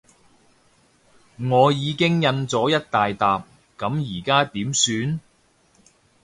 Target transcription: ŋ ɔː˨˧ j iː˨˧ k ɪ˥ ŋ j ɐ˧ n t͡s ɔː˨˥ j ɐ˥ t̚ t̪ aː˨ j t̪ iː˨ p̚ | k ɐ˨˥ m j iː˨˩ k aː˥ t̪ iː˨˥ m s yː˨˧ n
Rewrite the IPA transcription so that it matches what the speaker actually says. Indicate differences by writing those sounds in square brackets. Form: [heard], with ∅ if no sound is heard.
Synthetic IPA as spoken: ŋ ɔː˨˧ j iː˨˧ k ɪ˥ ŋ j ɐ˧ n t͡s ɔː˨˥ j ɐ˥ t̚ t̪ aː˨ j t̪ [aː˨] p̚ | k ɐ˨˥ m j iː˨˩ k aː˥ t̪ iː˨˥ m s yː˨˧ n

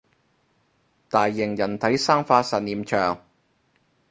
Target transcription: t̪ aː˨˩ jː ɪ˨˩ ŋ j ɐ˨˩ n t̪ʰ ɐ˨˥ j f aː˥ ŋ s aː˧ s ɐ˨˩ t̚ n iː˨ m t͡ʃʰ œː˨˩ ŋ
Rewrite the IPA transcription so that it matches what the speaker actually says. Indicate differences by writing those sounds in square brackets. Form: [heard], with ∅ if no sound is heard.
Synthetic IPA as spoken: t̪ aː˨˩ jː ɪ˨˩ ŋ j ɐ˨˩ n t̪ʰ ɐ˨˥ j [s] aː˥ ŋ [f] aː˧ s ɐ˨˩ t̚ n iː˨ m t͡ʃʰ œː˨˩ ŋ

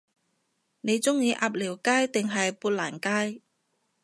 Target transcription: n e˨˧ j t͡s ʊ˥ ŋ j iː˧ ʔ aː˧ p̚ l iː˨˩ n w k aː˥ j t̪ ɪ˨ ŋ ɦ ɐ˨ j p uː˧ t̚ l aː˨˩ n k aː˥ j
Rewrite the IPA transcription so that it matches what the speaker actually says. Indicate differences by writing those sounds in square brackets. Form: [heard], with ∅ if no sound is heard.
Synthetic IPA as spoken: n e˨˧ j t͡s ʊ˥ ŋ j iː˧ ʔ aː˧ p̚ l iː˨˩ [∅] w k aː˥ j t̪ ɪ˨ ŋ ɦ ɐ˨ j p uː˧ t̚ l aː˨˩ n k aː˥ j

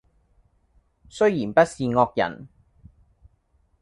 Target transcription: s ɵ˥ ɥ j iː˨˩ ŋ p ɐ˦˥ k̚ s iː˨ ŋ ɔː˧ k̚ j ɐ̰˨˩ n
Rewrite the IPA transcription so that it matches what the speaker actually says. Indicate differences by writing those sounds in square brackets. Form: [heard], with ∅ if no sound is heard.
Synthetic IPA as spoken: s ɵ˥ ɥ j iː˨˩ [n] p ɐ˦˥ [t̚] s iː˨ ŋ ɔː˧ k̚ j ɐ̰˨˩ n

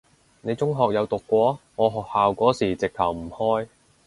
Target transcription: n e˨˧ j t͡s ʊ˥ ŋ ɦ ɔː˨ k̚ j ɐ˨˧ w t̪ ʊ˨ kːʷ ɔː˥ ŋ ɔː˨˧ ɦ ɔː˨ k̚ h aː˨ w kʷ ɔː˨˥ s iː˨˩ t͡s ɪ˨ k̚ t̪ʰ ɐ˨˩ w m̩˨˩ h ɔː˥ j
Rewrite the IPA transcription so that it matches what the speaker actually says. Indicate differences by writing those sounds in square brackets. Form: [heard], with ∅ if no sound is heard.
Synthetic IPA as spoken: n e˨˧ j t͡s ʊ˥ ŋ ɦ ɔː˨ k̚ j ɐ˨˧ w t̪ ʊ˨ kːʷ [ɔː˨˥] ŋ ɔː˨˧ ɦ ɔː˨ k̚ h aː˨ w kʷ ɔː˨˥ s iː˨˩ t͡s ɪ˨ k̚ t̪ʰ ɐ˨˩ w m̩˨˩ h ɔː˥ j

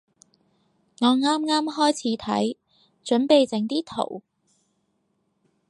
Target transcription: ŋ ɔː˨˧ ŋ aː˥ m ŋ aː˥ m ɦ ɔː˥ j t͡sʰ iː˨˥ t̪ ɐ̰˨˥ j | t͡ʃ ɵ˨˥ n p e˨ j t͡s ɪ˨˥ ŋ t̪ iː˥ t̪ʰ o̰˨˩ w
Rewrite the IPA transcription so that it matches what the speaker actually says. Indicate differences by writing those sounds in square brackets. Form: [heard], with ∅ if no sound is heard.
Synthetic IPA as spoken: ŋ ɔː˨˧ ŋ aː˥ m ŋ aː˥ m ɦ ɔː˥ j t͡sʰ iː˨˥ [t̪ʰ] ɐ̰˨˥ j | t͡ʃ ɵ˨˥ n p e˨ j t͡s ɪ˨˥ ŋ t̪ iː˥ t̪ʰ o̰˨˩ w

